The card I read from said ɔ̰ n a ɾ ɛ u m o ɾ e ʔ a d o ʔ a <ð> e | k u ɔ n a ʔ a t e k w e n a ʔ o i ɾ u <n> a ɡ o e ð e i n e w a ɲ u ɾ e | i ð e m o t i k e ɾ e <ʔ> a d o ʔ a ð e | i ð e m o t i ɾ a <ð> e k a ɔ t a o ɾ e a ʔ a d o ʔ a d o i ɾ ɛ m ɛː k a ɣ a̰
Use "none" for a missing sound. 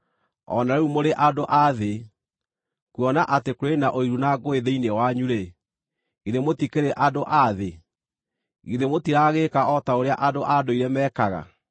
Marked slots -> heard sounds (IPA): ð, n, ʔ, ɣ

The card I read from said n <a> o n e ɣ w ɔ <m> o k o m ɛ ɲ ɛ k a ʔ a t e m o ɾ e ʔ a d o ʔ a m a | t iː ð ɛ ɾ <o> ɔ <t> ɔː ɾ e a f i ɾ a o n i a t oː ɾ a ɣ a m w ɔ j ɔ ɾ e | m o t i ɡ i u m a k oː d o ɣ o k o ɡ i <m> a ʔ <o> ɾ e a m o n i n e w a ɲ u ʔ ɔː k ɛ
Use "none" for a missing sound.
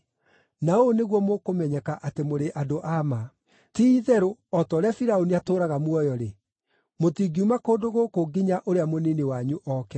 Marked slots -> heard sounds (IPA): a, m, o, t, ɲ, o

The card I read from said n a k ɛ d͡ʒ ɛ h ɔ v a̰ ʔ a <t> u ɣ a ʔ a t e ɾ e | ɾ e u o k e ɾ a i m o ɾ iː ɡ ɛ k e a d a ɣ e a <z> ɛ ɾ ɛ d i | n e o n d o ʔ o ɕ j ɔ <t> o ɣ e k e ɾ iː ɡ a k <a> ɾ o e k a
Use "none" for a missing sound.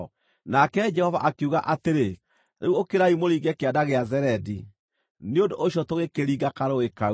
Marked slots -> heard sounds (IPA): k, z, t, a

